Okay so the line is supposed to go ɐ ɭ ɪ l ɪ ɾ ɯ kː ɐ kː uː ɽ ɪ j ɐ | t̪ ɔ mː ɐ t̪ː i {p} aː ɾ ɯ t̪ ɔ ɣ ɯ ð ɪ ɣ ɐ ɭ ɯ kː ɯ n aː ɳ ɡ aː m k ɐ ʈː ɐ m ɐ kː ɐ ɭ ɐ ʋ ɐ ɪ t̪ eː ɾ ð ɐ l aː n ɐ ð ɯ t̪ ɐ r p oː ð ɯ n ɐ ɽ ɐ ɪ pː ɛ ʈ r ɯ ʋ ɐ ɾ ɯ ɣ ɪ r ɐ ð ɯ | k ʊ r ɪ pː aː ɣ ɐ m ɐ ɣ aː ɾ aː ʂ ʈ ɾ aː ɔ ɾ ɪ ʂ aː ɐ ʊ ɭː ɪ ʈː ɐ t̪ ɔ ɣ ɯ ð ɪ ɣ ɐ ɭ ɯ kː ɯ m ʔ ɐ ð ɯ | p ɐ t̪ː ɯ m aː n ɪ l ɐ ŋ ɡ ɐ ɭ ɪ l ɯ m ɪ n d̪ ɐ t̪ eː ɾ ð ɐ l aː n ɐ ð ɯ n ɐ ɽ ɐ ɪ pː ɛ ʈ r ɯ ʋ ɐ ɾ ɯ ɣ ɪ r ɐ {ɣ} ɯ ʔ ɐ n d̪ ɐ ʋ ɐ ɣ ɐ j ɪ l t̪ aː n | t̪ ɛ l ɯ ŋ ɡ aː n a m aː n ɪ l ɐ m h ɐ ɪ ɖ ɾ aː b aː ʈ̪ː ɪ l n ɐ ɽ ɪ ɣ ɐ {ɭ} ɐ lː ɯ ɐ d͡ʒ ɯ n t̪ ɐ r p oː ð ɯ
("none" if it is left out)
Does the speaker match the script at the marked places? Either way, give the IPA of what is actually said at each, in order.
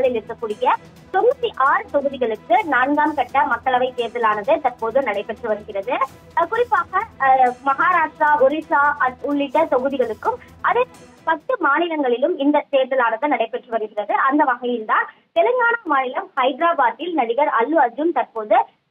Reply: ʔ, ð, ɾ

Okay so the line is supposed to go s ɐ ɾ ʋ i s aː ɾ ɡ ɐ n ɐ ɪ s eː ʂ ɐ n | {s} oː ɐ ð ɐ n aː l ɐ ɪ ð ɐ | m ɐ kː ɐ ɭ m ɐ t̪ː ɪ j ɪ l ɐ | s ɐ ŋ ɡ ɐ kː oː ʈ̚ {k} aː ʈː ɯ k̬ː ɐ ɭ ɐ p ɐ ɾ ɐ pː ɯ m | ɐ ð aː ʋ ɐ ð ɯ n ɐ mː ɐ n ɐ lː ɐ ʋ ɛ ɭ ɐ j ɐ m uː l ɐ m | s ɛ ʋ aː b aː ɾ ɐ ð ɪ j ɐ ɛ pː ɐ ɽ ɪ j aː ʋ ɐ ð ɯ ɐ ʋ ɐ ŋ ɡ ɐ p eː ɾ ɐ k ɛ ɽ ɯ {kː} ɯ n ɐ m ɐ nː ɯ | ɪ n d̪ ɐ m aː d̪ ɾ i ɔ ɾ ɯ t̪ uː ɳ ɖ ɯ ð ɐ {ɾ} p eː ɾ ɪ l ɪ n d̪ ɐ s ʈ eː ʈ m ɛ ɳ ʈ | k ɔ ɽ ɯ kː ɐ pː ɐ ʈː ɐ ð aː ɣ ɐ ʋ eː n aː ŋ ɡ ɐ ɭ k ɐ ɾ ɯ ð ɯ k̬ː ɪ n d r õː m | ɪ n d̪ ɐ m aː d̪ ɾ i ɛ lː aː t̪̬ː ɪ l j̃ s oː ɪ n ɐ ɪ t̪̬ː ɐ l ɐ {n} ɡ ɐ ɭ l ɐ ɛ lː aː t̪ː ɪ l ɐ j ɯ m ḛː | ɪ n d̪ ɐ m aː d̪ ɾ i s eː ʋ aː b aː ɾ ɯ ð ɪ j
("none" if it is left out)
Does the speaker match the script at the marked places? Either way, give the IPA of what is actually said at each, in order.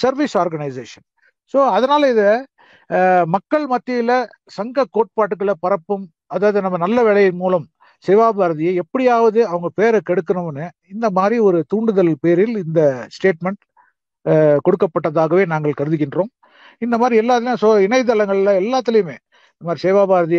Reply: s, p, kː, l, ŋ

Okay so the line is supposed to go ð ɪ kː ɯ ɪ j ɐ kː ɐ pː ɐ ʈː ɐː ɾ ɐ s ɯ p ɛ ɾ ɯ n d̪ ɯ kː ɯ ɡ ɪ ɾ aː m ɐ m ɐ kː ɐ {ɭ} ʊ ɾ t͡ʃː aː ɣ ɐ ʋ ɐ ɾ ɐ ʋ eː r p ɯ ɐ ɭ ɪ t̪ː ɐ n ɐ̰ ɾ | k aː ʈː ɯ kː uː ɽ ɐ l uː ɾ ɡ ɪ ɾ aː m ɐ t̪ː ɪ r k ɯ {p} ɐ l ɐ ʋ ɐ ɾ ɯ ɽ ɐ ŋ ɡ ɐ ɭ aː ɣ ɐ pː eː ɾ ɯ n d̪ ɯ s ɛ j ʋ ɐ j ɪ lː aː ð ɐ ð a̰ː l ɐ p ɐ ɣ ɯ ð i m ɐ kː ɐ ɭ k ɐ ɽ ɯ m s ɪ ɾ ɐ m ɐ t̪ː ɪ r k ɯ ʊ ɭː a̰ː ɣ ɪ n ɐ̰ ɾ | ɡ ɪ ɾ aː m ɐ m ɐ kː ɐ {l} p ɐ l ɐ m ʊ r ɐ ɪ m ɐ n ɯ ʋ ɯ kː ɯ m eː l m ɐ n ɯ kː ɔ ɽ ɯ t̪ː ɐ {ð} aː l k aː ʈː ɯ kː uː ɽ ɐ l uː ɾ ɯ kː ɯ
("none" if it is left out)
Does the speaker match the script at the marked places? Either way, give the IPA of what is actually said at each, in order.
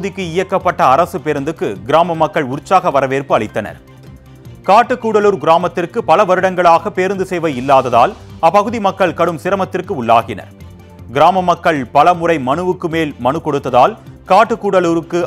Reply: ɭ, p, ɭ, ð

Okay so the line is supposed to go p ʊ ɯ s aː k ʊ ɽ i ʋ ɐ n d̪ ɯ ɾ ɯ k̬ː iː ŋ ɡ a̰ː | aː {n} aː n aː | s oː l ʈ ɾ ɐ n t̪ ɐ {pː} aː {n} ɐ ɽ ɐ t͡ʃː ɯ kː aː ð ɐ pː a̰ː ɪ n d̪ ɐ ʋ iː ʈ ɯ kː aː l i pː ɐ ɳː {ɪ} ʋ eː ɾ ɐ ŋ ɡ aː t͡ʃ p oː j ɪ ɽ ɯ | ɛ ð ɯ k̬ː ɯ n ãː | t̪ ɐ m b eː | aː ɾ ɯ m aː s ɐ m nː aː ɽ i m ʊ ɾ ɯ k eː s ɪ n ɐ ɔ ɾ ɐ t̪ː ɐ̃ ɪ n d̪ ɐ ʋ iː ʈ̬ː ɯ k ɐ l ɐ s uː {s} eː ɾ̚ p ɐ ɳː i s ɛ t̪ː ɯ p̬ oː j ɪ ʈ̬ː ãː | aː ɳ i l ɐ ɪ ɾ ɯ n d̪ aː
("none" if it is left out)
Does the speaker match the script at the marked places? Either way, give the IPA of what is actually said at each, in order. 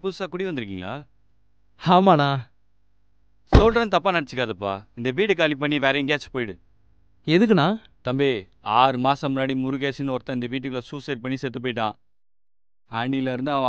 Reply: m, pː, n, i, s

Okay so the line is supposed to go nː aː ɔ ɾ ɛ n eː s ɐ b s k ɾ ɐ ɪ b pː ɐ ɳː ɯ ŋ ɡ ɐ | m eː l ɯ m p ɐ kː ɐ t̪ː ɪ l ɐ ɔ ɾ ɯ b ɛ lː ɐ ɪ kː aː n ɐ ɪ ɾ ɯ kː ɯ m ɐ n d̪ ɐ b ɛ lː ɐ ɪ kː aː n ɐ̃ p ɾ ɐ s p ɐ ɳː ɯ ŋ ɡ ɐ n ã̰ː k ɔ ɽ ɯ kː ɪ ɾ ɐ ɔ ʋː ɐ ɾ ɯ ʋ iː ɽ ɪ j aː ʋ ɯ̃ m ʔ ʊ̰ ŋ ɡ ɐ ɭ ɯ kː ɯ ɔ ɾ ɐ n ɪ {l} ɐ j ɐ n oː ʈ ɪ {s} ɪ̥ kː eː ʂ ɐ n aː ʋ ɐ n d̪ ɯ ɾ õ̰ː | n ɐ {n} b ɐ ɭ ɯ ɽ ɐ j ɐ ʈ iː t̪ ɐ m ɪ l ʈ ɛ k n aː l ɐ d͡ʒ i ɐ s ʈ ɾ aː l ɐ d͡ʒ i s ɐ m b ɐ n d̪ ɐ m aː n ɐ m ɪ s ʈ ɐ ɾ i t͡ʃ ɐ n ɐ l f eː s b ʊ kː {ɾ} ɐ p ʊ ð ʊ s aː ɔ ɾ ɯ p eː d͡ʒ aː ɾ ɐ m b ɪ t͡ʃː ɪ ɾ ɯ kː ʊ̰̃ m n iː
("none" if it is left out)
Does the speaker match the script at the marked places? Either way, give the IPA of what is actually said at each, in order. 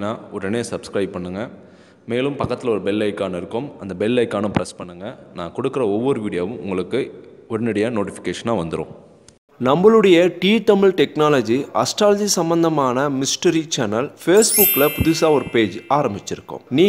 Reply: ɽ, f, m, l

